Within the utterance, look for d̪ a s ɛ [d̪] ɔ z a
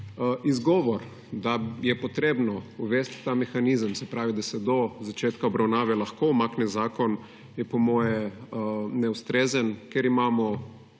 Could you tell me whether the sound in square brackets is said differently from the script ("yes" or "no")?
no